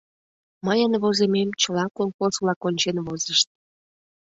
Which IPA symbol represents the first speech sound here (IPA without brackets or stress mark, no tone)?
m